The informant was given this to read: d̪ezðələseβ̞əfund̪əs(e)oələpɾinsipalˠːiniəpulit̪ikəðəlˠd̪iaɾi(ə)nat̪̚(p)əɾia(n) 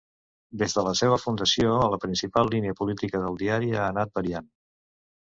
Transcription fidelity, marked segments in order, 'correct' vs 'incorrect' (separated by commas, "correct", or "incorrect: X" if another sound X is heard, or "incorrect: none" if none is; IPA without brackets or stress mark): incorrect: i, incorrect: a, incorrect: b, correct